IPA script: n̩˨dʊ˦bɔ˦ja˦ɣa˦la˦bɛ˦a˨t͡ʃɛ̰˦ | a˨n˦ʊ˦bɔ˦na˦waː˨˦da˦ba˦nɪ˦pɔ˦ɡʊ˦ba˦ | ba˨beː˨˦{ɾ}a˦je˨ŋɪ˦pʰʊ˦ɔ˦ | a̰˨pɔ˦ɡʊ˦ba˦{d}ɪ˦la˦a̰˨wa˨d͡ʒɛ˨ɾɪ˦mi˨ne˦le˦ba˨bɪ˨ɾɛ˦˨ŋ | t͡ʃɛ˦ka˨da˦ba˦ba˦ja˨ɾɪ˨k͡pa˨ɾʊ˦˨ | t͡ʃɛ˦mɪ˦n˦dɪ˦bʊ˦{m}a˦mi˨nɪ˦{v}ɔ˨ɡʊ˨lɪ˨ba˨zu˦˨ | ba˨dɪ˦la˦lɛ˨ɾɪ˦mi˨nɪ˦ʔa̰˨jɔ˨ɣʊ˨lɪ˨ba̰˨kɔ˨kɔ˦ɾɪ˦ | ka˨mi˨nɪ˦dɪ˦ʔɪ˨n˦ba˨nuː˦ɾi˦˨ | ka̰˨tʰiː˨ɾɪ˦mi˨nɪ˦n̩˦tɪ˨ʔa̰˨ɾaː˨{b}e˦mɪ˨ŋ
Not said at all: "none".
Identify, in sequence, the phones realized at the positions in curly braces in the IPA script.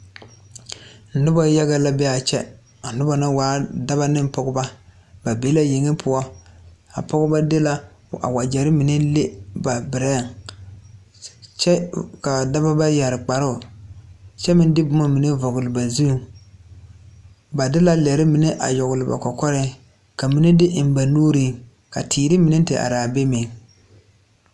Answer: l, d, m, v, b

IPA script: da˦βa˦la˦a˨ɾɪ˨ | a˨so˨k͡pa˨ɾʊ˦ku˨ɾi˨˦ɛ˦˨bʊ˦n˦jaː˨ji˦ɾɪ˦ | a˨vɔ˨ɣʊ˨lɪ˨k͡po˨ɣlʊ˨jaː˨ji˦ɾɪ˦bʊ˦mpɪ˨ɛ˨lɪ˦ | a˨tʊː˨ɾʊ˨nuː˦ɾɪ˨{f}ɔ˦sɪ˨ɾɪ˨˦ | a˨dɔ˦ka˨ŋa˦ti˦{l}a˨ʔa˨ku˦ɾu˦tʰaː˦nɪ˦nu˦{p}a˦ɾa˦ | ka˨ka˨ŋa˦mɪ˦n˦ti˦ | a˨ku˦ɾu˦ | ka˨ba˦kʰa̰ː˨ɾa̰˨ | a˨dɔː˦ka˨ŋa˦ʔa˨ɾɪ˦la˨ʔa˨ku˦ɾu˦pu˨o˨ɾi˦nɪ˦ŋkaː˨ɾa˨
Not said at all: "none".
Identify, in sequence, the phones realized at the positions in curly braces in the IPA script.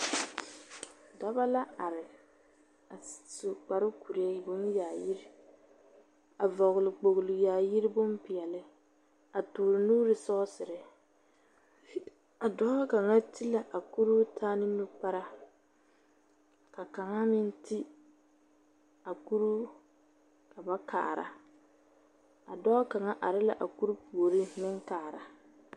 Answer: s, l, p

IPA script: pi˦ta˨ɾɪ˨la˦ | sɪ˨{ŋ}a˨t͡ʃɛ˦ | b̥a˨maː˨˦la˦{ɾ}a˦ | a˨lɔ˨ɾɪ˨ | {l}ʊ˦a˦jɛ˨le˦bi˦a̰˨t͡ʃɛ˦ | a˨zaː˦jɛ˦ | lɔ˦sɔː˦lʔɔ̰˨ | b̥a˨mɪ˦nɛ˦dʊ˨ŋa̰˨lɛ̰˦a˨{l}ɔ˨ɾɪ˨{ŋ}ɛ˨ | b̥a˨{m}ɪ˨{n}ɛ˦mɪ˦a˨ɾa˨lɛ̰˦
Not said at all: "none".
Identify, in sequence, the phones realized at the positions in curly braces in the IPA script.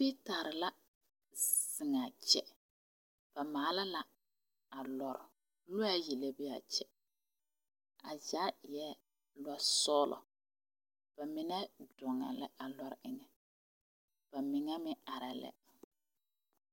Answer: ŋ, l, l, l, ŋ, m, ŋ

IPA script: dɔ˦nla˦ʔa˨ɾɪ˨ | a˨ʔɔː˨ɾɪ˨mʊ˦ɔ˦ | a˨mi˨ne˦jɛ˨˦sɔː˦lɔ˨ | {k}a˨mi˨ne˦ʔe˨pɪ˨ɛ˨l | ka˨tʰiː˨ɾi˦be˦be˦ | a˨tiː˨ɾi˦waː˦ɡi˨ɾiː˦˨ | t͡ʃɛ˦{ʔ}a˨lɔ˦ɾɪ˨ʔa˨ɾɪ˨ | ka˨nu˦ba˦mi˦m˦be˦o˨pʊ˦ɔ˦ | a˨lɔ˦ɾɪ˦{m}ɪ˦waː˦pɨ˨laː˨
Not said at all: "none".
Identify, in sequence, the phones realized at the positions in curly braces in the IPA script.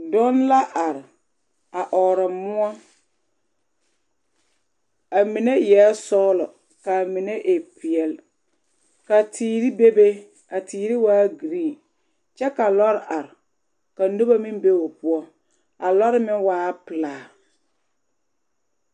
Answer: k, k, m

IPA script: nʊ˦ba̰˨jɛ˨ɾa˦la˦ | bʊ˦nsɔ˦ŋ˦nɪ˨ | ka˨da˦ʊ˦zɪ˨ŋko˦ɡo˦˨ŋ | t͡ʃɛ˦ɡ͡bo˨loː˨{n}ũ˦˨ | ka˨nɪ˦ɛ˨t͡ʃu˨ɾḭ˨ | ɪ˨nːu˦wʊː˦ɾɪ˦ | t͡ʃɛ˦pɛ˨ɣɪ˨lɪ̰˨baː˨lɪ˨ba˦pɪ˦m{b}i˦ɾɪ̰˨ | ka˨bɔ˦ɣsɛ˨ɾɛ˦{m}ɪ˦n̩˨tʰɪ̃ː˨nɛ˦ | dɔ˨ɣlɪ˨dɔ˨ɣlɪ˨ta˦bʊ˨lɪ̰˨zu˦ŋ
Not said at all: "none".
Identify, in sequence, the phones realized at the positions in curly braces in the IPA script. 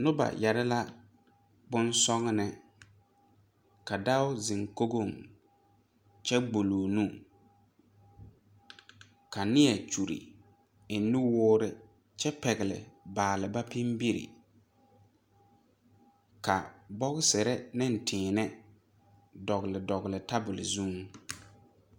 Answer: n, b, n

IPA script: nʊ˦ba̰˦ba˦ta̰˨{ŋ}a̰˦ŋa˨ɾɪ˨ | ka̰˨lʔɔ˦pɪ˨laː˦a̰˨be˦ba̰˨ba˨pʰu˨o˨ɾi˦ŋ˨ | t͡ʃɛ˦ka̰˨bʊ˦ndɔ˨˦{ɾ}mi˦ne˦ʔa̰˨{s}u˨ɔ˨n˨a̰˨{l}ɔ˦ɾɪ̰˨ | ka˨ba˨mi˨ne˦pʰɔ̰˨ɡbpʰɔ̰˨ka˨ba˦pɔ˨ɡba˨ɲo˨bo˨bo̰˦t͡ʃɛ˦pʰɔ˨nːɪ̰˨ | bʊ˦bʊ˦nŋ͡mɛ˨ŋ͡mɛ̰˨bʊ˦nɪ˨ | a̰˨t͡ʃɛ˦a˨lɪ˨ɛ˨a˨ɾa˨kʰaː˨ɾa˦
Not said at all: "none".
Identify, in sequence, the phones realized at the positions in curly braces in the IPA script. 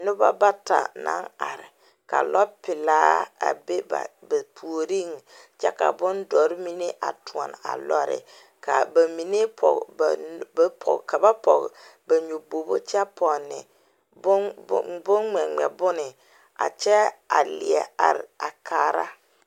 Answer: n, ɾ, t, l

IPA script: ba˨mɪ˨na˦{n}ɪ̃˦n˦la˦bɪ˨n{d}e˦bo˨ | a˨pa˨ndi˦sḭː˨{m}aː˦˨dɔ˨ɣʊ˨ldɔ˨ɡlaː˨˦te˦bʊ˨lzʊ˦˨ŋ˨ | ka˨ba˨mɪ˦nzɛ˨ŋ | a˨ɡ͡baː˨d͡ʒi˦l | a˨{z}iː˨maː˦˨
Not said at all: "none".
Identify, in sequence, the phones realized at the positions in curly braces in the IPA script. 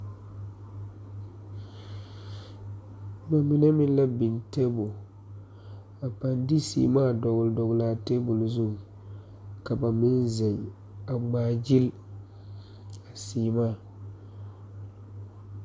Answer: m, t, m, s

